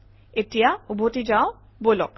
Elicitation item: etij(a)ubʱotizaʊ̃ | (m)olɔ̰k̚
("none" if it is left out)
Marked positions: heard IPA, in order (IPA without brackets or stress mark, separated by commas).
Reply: a, b